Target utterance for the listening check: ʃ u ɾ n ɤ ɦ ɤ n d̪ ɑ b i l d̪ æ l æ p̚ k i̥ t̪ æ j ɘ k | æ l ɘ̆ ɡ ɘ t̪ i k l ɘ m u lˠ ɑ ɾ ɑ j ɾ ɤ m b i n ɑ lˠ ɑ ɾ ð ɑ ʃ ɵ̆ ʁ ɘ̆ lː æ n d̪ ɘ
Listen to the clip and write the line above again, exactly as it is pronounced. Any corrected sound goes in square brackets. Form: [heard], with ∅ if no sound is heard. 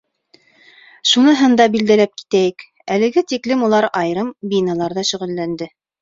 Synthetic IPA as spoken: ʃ u [∅] n ɤ ɦ ɤ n d̪ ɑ b i l d̪ æ l æ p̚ k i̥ t̪ æ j ɘ k | æ l ɘ̆ ɡ ɘ t̪ i k l ɘ m u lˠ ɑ ɾ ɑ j ɾ ɤ m b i n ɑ lˠ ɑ ɾ ð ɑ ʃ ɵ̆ ʁ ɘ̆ lː æ n d̪ ɘ